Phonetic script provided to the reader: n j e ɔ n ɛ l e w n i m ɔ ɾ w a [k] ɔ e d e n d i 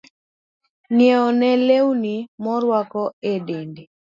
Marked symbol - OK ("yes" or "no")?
yes